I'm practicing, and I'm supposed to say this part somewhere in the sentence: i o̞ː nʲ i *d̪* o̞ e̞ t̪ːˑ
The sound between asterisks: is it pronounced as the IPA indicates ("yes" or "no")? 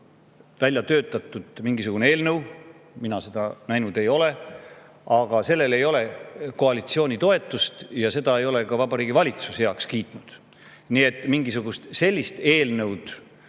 no